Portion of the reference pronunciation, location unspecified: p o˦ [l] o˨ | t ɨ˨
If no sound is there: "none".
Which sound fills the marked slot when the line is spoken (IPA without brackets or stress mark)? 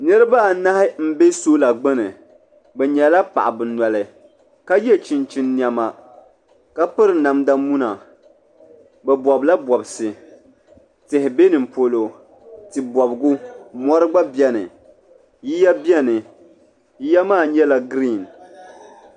l